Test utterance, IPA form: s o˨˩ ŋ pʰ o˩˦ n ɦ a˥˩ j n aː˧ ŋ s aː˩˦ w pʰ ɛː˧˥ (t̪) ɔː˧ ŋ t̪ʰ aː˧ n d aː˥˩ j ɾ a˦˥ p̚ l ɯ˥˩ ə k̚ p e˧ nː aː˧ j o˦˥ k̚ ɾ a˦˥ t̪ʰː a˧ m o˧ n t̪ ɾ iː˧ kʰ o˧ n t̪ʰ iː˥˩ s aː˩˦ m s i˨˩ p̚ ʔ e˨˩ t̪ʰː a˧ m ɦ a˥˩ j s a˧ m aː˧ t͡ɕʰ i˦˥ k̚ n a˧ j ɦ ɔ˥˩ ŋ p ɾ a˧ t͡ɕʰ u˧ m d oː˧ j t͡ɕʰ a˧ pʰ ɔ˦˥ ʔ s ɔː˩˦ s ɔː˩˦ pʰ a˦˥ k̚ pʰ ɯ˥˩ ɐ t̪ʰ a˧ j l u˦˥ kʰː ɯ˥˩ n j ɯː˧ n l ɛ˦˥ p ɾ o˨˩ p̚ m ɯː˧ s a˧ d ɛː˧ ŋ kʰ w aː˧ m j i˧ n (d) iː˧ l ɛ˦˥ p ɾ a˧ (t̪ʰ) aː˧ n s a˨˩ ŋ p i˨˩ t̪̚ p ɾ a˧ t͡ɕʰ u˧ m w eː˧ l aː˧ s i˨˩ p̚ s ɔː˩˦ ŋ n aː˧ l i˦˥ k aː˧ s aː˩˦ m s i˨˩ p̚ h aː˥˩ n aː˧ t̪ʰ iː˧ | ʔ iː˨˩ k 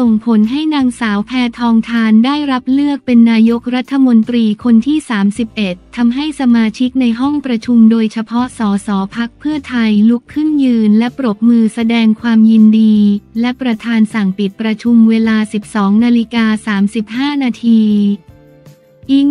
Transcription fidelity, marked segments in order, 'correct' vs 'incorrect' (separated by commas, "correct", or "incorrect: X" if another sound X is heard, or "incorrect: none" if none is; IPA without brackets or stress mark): incorrect: t̪ʰ, correct, correct